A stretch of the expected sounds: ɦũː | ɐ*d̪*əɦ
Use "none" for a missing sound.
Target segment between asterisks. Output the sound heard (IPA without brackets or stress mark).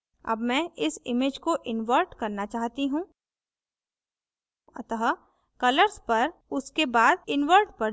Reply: t̪